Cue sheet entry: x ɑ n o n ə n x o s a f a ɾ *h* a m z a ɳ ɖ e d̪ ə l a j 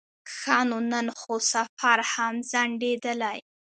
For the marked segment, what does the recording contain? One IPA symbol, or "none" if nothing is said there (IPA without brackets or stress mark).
h